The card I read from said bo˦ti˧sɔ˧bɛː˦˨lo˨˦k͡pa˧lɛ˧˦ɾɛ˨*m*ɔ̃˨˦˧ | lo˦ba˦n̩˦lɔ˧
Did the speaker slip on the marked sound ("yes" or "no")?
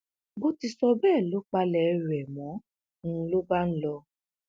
no